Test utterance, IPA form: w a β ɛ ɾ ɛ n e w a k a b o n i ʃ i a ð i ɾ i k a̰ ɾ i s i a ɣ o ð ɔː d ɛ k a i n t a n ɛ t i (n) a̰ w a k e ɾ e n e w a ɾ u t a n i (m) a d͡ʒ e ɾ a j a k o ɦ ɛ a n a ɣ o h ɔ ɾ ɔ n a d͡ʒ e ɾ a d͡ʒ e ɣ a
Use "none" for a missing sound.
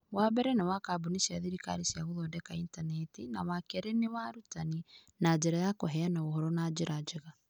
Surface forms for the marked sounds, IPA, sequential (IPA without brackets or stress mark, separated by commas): n, n